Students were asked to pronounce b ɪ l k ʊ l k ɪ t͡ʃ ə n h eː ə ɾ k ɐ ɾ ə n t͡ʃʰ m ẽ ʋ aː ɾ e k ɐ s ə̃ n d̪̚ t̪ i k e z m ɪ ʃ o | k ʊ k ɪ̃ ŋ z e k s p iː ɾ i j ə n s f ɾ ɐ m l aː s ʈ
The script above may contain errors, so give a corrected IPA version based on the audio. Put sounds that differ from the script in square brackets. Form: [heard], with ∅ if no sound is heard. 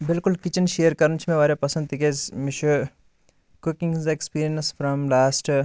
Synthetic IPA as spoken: b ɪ l k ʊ l k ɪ t͡ʃ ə n [ʃ] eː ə ɾ k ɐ ɾ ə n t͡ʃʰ m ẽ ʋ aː ɾ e [p] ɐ s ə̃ n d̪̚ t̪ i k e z m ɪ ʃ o | k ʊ k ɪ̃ ŋ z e k s p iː ɾ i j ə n s f ɾ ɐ m l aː s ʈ